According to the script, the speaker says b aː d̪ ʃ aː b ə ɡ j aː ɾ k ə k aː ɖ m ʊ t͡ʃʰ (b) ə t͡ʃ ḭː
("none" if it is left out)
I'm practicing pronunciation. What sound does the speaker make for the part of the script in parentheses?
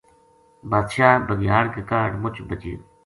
b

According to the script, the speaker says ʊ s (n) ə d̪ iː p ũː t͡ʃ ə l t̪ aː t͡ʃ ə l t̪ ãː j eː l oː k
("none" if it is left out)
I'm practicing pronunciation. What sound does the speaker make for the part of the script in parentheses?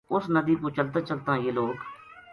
n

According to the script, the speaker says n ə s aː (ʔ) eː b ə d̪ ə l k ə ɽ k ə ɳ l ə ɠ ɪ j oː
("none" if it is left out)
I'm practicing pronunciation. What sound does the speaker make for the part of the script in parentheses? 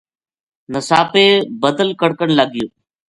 p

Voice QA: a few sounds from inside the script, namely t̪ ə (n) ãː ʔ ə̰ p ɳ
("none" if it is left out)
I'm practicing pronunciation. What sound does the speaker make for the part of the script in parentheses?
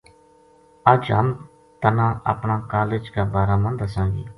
n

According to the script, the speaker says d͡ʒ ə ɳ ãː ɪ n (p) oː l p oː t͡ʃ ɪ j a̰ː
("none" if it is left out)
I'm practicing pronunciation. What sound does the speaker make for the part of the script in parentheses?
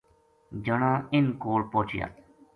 k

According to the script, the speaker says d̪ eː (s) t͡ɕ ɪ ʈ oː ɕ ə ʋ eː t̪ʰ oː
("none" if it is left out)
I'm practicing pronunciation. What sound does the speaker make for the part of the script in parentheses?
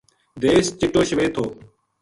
s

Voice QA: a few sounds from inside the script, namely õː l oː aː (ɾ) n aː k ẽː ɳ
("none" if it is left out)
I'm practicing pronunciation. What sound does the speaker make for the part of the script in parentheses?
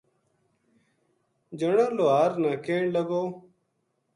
ɾ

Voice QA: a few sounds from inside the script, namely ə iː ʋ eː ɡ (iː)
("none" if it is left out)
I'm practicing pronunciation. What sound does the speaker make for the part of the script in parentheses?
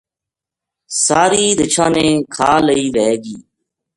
iː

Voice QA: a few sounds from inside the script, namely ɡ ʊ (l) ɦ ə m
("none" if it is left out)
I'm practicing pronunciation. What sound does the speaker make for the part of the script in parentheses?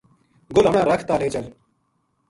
l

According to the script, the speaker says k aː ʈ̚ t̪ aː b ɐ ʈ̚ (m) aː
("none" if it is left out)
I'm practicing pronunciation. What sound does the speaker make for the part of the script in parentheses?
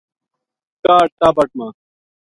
m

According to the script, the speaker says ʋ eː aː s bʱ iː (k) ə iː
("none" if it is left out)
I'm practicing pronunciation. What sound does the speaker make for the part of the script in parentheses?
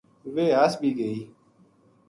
ɡ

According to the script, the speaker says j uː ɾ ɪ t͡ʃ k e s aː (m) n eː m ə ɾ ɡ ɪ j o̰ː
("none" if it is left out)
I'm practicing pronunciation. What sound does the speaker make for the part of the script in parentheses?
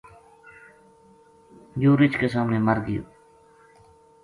m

